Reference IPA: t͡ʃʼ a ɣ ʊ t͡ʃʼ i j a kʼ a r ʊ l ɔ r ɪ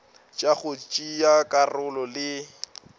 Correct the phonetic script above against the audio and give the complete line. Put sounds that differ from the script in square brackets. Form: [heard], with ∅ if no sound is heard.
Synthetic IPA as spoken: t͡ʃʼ a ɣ ʊ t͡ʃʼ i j a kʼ a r ʊ l ɔ [l] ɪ